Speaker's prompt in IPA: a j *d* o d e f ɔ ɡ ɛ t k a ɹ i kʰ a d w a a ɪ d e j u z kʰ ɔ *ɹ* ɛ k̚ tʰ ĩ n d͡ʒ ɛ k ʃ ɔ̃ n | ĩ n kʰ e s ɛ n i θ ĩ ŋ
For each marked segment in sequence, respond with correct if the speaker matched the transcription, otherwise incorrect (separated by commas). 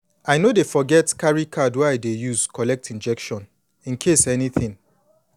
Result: incorrect, incorrect